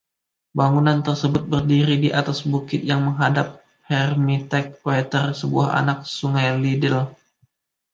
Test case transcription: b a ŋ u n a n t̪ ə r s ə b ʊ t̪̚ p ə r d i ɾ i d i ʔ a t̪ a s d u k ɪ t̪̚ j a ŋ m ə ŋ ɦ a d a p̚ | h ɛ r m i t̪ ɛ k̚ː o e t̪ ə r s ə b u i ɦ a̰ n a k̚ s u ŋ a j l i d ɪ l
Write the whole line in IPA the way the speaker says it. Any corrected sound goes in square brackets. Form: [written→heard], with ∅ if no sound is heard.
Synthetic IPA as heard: b a ŋ u n a n t̪ ə r s ə b ʊ t̪̚ [p→b] ə r d i ɾ i d i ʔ a t̪ a s [d→b] u k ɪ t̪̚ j a ŋ m ə ŋ ɦ a d a p̚ | h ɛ r m i t̪ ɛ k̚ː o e t̪ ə r s ə b u [i→a] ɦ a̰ n a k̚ s u ŋ a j l i d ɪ l